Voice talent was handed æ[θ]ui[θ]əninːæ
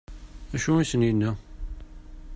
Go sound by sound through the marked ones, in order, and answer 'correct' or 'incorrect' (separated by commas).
incorrect, incorrect